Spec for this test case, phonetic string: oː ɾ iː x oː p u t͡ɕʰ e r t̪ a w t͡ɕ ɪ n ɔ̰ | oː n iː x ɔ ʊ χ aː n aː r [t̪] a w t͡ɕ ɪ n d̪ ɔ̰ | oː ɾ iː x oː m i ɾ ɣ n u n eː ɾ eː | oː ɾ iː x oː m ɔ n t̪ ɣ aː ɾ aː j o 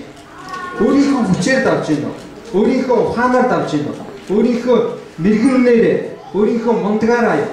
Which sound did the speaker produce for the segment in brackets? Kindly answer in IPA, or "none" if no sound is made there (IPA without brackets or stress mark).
t̪